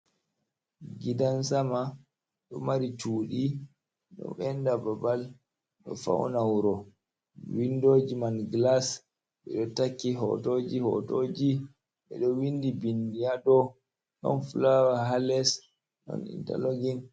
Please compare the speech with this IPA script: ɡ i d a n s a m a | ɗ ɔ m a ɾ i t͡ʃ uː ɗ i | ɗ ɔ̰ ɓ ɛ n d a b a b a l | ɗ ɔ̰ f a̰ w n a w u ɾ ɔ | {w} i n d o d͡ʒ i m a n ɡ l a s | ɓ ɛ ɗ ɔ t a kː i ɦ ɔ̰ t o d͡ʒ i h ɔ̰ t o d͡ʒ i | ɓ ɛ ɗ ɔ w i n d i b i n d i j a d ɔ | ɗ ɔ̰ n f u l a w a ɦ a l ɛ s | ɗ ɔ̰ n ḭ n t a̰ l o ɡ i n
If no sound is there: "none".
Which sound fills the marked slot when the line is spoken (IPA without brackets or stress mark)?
w